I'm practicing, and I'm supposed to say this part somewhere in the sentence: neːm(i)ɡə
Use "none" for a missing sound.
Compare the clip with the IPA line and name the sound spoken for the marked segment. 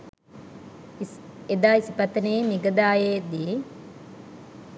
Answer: i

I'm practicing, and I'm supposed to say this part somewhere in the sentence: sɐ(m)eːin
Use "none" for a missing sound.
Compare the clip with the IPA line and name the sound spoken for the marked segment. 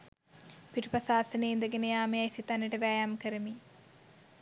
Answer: n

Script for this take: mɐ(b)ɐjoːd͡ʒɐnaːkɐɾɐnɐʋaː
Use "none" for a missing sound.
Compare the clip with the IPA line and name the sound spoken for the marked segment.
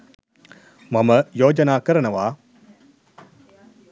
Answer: m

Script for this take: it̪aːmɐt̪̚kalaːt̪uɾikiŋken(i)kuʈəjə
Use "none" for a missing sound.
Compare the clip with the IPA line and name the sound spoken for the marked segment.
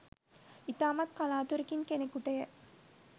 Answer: e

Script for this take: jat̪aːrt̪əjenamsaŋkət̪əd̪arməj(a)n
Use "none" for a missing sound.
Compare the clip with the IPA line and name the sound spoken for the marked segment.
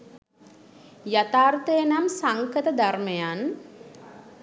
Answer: a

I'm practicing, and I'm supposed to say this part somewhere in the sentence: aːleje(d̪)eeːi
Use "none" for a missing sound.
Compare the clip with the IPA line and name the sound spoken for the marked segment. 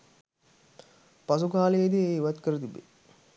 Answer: d̪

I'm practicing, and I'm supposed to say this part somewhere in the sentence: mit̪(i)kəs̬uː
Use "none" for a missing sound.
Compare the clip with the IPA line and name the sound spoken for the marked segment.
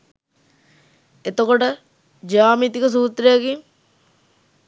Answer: i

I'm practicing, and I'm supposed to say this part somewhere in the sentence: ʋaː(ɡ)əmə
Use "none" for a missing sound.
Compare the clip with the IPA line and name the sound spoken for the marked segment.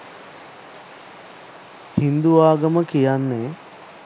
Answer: ɡ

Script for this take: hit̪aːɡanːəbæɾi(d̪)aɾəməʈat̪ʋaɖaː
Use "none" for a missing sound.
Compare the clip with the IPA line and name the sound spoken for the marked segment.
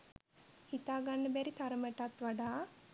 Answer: t̪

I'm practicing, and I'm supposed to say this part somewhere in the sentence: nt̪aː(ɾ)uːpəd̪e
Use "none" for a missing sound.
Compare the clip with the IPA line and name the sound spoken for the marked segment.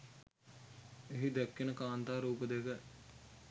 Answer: ɾ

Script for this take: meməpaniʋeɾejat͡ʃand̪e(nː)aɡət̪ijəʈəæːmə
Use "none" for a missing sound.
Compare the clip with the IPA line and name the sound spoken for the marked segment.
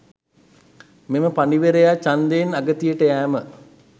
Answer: n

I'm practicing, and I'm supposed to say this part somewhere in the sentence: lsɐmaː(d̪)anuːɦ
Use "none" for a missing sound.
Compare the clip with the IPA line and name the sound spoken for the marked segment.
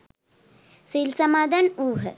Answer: d̪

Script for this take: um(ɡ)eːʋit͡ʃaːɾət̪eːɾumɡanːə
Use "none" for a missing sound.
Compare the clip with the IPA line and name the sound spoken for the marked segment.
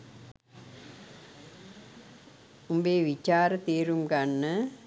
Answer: b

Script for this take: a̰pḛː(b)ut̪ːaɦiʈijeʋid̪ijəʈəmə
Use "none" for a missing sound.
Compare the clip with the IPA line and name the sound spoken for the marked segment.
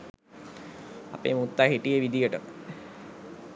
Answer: m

